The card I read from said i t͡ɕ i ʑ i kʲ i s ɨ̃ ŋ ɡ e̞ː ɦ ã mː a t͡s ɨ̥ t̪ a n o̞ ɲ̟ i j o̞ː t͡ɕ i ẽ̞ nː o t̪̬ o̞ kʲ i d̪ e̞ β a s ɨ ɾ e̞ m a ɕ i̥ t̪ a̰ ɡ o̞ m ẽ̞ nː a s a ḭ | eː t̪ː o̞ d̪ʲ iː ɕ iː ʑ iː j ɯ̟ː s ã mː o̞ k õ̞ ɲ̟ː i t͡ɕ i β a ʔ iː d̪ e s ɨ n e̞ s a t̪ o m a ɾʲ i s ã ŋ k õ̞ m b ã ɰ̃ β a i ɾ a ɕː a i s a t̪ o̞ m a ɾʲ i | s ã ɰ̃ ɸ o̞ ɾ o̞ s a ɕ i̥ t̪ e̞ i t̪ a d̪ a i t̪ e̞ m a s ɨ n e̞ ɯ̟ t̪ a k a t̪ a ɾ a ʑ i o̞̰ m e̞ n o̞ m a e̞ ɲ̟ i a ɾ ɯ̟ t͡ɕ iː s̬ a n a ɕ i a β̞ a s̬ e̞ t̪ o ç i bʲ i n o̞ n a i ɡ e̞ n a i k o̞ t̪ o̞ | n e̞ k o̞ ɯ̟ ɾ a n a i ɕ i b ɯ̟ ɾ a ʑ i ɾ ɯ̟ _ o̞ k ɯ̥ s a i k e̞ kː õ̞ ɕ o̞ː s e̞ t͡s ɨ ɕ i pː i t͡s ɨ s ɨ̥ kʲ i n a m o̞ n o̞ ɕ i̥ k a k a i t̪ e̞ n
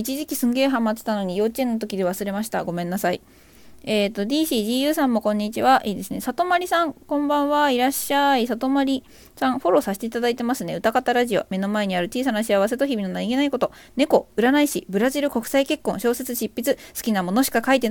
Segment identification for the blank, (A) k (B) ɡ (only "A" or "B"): A